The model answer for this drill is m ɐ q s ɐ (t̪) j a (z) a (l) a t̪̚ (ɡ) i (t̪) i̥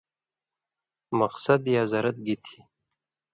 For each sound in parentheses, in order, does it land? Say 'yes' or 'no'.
no, yes, no, yes, no

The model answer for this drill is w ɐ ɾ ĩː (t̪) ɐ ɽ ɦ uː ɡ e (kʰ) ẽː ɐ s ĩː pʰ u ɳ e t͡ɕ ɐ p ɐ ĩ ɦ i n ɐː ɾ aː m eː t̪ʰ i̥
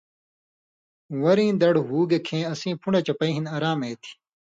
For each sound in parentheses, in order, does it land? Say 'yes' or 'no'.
no, yes

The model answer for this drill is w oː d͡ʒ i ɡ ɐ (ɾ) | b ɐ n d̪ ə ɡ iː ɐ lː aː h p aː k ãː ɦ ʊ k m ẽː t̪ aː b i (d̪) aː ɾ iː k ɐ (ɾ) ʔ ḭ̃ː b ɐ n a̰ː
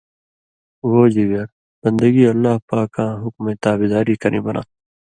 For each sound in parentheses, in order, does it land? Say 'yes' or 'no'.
yes, yes, yes

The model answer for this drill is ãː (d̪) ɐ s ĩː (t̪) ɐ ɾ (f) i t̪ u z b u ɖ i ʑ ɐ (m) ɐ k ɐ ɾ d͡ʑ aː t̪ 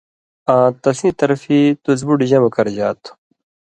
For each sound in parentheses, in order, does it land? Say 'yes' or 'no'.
no, yes, yes, yes

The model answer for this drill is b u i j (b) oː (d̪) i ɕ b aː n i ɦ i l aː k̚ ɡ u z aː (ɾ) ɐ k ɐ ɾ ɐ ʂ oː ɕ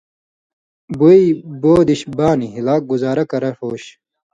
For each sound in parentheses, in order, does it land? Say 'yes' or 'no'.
yes, yes, yes

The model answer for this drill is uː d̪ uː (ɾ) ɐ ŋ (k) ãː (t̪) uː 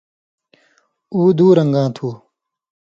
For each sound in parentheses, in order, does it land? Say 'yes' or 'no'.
yes, no, no

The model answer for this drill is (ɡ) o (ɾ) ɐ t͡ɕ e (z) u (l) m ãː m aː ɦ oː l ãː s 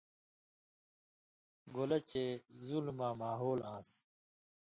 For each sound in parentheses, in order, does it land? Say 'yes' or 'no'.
yes, no, yes, yes

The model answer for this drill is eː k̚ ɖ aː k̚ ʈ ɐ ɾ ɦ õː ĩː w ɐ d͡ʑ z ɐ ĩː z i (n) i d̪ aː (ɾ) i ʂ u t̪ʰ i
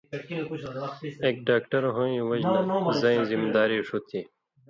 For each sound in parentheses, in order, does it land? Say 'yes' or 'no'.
no, yes

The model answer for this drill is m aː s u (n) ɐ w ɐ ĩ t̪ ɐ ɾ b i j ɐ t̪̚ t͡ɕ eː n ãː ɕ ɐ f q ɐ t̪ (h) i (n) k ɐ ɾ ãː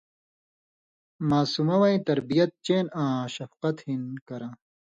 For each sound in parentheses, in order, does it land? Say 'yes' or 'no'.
no, yes, yes

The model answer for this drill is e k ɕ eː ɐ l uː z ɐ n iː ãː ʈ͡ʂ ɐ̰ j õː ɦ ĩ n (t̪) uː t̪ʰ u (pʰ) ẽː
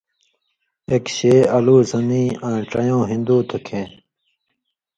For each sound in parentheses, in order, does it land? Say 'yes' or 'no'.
no, no

